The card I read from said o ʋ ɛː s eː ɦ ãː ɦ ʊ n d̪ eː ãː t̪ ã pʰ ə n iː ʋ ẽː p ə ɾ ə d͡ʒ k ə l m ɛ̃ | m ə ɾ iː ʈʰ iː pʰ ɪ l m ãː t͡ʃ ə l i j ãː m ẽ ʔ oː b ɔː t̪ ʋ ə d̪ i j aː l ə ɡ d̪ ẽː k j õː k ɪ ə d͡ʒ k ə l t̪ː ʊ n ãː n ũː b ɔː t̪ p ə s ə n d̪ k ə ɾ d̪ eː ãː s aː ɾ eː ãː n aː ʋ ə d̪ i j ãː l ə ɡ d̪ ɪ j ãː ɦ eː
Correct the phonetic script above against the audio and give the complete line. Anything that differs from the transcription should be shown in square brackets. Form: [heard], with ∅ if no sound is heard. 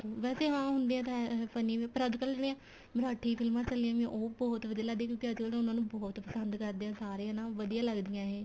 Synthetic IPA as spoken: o ʋ ɛː s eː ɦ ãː ɦ ʊ n d̪ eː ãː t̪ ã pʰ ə n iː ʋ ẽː p ə ɾ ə d͡ʒ k ə l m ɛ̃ | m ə ɾ [aː] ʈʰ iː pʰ ɪ l m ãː t͡ʃ ə l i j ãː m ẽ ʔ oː b ɔː t̪ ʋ ə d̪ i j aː l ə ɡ d̪ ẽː k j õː k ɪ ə d͡ʒ k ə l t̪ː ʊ n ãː n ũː b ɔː t̪ p ə s ə n d̪ k ə ɾ d̪ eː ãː s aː ɾ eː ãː n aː ʋ ə d̪ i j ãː l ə ɡ d̪ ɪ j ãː ɦ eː